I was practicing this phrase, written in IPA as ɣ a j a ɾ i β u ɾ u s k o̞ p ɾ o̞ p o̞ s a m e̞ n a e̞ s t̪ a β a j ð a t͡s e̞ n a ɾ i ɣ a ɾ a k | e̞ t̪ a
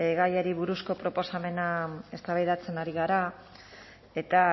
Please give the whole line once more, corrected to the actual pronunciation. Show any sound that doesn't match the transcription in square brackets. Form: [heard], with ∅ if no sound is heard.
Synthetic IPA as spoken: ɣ a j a ɾ i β u ɾ u s k o̞ p ɾ o̞ p o̞ s a m e̞ n a e̞ s t̪ a β a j ð a t͡s e̞ n a ɾ i ɣ a ɾ a [∅] | e̞ t̪ a